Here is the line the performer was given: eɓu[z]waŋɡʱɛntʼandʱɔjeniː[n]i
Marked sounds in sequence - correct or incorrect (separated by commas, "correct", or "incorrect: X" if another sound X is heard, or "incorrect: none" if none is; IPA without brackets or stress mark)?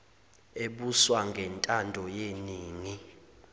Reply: incorrect: s, incorrect: ŋ